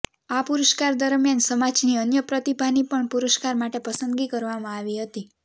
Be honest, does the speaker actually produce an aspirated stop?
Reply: no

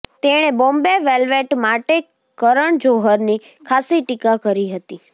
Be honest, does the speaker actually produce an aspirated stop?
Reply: yes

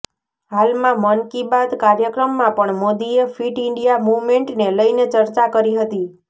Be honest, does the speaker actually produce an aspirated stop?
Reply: no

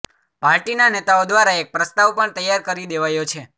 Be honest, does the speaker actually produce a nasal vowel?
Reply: no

